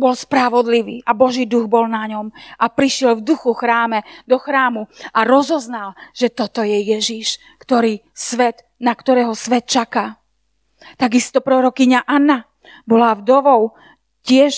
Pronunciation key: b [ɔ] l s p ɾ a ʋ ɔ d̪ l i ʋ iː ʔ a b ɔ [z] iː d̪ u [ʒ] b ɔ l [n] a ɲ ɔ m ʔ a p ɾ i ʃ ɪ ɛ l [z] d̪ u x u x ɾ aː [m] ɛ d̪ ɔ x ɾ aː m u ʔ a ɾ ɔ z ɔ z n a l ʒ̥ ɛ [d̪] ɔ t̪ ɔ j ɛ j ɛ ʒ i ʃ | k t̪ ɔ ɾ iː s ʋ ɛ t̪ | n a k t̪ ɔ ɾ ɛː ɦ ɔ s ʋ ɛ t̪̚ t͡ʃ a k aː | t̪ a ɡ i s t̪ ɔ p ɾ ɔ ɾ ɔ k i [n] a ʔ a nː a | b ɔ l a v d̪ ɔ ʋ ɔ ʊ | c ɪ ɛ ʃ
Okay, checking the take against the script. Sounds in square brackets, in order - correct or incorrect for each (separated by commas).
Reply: correct, incorrect, incorrect, correct, incorrect, correct, incorrect, incorrect